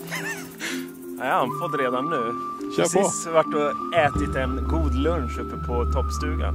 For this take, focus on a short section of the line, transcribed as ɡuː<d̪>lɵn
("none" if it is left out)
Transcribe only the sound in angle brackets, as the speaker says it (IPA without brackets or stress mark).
d̪